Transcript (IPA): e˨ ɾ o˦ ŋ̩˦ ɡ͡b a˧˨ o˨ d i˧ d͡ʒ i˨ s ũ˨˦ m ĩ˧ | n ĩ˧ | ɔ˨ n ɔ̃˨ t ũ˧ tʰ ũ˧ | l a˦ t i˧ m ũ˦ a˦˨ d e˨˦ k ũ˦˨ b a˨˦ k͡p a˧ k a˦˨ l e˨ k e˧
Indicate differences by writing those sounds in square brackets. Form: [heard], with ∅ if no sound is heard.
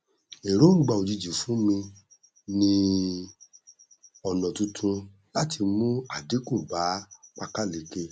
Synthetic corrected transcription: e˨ ɾ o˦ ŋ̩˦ ɡ͡b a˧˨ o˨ [d͡ʒ] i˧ d͡ʒ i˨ [f] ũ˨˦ m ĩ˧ | n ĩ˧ | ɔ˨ n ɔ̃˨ t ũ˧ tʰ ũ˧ | l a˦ t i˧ m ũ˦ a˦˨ d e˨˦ k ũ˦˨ b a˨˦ k͡p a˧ k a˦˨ l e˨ k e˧

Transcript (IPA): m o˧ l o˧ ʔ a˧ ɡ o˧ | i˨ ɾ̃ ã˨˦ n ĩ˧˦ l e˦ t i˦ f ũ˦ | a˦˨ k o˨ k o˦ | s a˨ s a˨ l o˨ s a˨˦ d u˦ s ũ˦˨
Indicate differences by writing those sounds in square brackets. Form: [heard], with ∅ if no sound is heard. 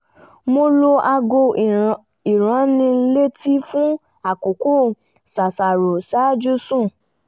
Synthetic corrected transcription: m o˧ l o˧ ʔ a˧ ɡ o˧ | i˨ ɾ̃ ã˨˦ n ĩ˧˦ l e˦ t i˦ f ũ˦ | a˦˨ k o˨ k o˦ | s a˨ s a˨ [ɾ] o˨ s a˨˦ [d͡ʒ] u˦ s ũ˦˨

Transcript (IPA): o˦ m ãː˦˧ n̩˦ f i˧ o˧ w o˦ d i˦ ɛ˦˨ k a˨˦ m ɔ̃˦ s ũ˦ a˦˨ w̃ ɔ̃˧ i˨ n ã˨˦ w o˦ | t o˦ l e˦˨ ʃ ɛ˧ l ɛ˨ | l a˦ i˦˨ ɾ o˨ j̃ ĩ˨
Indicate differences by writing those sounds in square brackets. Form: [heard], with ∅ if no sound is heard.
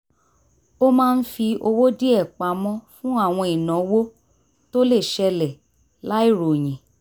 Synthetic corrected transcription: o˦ m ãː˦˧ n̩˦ f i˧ o˧ w o˦ d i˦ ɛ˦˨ [k͡p] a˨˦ m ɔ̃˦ [f] ũ˦ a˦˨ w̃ ɔ̃˧ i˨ n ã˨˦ w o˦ | t o˦ l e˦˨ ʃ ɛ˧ l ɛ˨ | l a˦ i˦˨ ɾ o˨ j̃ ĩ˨

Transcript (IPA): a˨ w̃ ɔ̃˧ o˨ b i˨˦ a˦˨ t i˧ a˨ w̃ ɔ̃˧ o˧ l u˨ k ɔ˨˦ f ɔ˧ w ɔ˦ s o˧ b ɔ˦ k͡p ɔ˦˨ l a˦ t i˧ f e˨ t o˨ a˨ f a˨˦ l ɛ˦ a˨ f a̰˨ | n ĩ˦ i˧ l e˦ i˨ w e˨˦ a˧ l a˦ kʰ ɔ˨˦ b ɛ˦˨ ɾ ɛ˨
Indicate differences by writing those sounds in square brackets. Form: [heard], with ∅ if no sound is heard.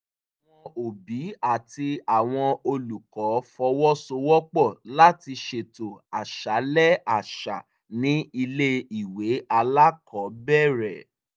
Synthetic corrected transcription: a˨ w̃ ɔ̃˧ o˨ b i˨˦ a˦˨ t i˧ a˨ w̃ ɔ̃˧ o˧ l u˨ k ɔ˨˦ f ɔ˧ w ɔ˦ s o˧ [w] ɔ˦ k͡p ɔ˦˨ l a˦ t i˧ [ʃ] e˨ t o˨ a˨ [ʃ] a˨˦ l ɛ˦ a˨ [ʃ] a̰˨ | n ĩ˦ i˧ l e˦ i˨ w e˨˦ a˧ l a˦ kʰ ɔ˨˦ b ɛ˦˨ ɾ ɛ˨

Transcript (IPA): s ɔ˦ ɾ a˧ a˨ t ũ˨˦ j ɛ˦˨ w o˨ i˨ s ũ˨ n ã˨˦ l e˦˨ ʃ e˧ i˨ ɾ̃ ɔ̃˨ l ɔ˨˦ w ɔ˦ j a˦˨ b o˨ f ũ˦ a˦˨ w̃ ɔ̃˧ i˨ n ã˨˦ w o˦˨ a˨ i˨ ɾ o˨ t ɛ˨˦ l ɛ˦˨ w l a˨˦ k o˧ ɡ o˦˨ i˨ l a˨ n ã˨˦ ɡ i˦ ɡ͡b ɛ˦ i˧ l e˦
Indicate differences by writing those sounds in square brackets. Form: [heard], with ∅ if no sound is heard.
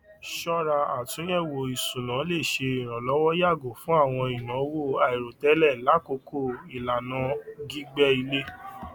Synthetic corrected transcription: [ʃ] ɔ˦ ɾ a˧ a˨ t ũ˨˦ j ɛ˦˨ w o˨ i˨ s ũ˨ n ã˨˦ l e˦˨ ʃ e˧ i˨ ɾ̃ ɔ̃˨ l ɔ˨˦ w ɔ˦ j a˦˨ [ɡ] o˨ f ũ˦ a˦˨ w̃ ɔ̃˧ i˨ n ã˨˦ w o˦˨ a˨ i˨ ɾ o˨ t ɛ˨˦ l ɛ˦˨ [∅] l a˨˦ k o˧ [k] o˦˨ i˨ l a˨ n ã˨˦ ɡ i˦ ɡ͡b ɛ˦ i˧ l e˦

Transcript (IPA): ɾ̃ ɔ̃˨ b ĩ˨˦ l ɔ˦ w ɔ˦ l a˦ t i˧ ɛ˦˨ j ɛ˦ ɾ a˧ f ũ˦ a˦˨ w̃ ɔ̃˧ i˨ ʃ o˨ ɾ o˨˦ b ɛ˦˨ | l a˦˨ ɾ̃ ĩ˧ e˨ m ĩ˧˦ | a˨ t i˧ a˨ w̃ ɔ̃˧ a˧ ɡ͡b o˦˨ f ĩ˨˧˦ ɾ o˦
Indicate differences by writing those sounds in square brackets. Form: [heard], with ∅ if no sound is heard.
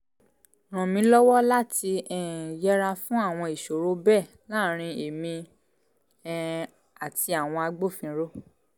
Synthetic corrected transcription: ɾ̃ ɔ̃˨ [m] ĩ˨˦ l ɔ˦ w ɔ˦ l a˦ t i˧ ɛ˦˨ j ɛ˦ ɾ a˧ f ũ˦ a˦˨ w̃ ɔ̃˧ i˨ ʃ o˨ ɾ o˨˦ b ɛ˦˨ | l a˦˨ ɾ̃ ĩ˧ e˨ m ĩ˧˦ | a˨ t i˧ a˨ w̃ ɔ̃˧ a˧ ɡ͡b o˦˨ f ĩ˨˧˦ ɾ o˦

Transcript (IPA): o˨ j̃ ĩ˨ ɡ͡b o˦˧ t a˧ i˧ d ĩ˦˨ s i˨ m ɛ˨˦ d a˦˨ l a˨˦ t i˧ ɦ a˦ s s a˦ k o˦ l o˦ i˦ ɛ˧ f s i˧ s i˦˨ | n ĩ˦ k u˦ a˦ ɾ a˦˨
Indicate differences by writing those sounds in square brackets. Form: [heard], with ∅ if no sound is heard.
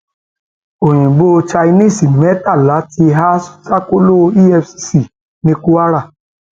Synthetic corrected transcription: o˨ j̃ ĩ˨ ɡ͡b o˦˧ [t͡ʃ] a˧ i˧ [n] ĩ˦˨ s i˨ m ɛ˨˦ [t] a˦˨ l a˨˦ t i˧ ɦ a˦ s s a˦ k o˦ l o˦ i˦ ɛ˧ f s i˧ s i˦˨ | n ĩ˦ k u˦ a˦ ɾ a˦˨

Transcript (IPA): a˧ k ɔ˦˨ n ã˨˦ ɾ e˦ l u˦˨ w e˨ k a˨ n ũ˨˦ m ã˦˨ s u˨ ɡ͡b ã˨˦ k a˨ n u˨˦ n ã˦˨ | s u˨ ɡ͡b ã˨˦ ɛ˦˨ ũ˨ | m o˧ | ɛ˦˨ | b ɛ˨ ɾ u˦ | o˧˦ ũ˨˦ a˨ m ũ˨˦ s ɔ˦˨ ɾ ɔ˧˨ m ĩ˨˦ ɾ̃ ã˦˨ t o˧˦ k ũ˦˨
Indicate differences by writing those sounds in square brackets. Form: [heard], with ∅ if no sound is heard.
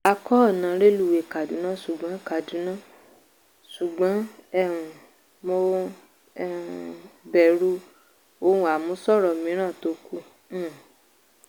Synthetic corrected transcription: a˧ k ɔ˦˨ n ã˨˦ ɾ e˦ l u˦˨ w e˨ k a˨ [d] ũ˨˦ [n] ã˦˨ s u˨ ɡ͡b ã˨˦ k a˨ [d] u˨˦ n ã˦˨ | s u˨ ɡ͡b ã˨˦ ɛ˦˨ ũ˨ | m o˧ | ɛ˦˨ | b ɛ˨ ɾ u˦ | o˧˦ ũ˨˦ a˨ m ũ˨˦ s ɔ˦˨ ɾ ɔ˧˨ m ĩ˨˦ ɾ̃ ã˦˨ t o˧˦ k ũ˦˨

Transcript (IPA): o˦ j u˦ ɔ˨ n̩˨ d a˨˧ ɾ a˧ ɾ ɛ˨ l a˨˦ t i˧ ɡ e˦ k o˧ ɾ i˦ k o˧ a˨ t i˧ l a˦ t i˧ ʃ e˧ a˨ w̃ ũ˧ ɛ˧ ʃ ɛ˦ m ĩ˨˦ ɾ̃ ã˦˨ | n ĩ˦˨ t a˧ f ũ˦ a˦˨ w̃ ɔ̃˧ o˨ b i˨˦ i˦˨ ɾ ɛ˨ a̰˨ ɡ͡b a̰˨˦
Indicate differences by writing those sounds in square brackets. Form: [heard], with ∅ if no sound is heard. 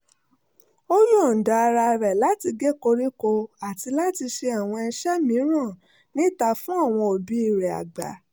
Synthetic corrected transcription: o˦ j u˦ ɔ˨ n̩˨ d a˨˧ ɾ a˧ ɾ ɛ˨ l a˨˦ t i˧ ɡ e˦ k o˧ ɾ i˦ k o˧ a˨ t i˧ l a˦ t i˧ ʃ e˧ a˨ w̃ [ɔ̃˧] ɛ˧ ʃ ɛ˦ m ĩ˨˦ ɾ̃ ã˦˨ | n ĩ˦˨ t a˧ f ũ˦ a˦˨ w̃ ɔ̃˧ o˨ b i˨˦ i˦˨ ɾ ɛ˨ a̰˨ ɡ͡b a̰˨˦

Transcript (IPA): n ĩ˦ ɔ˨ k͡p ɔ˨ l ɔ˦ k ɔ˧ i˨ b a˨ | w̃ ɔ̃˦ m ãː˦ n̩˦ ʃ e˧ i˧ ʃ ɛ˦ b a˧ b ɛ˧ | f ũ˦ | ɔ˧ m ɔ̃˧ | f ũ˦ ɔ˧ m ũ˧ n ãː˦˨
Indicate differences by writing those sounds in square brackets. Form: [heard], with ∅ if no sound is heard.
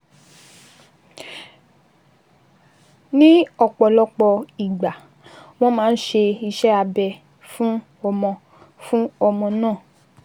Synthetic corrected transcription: n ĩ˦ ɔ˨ k͡p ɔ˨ l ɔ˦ [k͡p] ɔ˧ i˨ [ɡ͡b] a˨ | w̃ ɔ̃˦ m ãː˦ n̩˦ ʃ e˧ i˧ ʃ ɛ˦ [∅] a˧ b ɛ˧ | f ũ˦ | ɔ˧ m ɔ̃˧ | f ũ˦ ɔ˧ m [ɔ̃˧] n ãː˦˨

